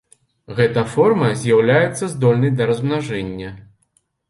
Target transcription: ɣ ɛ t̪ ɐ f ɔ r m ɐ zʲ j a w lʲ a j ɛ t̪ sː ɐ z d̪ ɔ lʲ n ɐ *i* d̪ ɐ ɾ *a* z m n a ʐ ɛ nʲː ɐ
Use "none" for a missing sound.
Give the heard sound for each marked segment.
j, ɐ

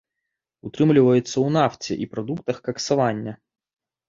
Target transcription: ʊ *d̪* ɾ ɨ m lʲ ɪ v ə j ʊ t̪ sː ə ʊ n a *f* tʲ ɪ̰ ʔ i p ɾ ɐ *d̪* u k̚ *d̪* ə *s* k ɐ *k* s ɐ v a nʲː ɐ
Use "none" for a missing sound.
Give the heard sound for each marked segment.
t̪, f, d̪, t̪, x, k

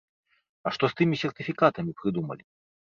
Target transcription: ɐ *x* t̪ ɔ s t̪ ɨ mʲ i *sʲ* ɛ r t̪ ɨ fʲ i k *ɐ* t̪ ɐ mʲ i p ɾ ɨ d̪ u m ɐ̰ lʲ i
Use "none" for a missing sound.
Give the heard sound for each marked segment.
ʂ, sʲ, a

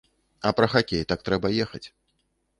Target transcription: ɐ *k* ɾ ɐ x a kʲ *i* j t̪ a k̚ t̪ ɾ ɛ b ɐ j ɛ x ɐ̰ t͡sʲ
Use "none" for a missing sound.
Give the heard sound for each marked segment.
p, e

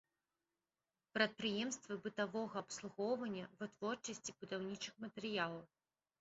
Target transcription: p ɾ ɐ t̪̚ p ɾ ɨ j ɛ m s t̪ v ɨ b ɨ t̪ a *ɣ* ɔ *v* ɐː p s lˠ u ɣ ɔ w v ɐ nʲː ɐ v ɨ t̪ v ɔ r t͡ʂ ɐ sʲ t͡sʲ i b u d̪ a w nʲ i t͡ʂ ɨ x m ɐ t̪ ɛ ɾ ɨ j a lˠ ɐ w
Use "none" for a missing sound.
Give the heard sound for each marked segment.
v, ɣ

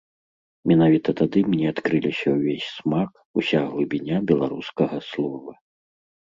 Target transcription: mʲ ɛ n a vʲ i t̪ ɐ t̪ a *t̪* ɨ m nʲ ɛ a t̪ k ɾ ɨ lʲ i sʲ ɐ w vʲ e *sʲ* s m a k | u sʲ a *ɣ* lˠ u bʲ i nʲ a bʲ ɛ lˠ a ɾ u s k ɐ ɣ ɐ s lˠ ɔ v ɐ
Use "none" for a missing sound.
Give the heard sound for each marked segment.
d̪, sʲ, ɣ

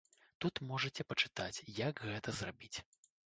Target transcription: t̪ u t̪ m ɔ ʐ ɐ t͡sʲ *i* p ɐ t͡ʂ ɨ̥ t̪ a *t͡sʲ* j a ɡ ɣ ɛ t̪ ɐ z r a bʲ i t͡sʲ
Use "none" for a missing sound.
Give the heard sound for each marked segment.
ɛ, t͡sʲ

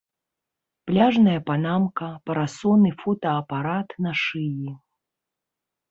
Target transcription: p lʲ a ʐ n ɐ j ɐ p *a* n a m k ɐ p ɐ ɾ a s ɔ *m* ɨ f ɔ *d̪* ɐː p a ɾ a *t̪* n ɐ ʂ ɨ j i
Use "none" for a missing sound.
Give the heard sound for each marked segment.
a, n, t̪, t̪

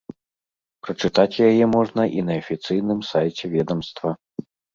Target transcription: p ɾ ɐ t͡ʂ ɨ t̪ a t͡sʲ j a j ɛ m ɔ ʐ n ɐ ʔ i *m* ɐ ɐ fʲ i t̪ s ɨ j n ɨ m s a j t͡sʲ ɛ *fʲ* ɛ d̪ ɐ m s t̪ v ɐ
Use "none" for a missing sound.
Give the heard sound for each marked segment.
n, vʲ

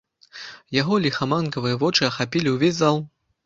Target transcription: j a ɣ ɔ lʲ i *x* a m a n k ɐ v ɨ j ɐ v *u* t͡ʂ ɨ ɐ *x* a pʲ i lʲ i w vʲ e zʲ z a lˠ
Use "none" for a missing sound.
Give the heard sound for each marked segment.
x, ɔ, x

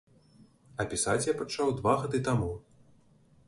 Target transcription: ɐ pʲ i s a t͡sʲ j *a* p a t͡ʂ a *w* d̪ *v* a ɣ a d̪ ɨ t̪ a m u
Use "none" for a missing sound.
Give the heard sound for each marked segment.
a, w, v

